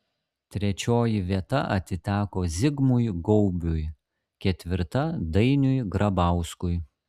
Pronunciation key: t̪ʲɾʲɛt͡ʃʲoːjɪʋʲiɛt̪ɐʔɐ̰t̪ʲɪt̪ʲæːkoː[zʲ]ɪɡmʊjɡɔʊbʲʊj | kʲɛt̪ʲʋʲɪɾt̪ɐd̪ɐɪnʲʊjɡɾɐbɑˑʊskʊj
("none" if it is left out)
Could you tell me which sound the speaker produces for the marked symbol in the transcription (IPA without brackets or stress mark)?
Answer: zʲ